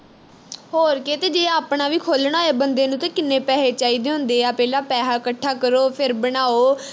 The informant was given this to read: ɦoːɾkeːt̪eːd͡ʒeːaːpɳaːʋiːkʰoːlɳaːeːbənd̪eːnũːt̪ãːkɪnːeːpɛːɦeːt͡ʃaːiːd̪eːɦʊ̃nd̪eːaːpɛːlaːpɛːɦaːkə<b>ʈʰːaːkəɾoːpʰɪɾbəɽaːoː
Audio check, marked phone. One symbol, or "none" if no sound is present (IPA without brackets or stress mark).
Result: none